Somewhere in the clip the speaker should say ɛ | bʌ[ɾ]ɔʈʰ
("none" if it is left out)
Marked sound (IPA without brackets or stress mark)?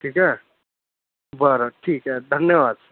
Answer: ɾ